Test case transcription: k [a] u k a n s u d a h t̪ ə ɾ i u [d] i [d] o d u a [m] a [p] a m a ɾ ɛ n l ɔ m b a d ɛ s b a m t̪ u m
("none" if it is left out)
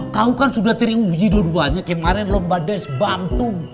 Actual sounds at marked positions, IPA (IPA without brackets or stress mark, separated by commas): a, d͡ʒ, d, ɲ, k